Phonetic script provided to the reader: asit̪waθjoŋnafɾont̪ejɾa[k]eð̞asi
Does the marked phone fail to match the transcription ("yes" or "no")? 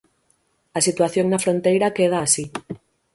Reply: no